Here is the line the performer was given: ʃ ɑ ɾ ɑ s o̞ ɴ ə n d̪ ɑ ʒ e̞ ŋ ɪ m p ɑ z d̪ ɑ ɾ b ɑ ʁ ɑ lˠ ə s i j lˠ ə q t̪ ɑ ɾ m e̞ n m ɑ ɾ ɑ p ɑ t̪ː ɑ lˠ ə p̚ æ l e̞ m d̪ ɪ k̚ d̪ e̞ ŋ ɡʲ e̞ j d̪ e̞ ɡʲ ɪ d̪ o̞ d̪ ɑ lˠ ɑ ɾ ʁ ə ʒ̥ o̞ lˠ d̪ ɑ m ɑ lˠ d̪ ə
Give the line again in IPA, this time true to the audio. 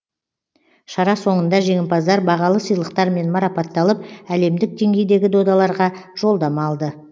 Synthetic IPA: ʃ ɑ ɾ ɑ s o̞ ɴ ə n d̪ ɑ ʒ e̞ ŋ ɪ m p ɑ z d̪ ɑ ɾ b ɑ ʁ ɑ lˠ ə s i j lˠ ə q t̪ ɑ ɾ m e̞ n m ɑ ɾ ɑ p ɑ t̪ː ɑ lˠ ə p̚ æ l e̞ m d̪ ɪ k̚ d̪ e̞ ŋ ɡʲ e̞ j d̪ e̞ ɡʲ ɪ d̪ o̞ d̪ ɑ lˠ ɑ ɾ ʁ ɑ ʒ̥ o̞ lˠ d̪ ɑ m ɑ lˠ d̪ ə